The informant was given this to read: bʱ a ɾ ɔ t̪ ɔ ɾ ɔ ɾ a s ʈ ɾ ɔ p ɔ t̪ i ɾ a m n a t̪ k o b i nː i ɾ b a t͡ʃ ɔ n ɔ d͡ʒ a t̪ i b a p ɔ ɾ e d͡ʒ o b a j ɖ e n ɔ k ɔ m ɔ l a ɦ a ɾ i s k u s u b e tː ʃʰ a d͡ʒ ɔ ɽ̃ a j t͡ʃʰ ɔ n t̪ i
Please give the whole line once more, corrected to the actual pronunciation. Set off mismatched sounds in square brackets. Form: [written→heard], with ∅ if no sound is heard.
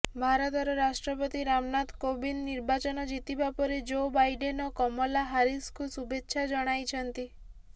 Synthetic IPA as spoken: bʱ a ɾ ɔ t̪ ɔ ɾ ɔ ɾ a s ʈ ɾ ɔ p ɔ t̪ i ɾ a m n a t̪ k o b i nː i ɾ b a t͡ʃ ɔ n ɔ d͡ʒ [a→i] t̪ i b a p ɔ ɾ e d͡ʒ o b a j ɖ e n ɔ k ɔ m ɔ l a ɦ a ɾ i s k u s u b e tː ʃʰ a d͡ʒ ɔ ɽ̃ a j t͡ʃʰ ɔ n t̪ i